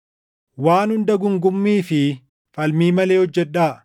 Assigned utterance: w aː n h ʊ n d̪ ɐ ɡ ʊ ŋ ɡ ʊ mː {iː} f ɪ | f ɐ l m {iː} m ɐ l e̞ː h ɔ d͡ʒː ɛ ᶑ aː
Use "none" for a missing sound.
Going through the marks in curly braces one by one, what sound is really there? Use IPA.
iː, iː

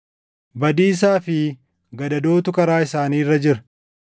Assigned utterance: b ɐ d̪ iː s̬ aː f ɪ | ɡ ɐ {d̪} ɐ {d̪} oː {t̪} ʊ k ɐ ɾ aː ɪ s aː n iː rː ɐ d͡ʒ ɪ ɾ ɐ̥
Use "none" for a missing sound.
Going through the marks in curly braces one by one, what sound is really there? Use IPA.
d̪, d̪, t̪

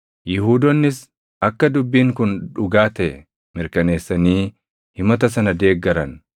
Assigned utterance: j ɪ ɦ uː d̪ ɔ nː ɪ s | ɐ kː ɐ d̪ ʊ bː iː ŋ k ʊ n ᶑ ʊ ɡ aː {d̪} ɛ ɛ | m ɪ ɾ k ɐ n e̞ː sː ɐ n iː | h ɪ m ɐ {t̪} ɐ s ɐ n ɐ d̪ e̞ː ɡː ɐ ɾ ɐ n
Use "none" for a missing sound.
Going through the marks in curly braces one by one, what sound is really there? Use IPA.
t̪, t̪

